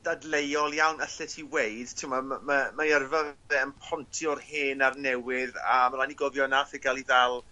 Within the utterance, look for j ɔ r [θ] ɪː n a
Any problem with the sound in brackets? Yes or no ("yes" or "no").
yes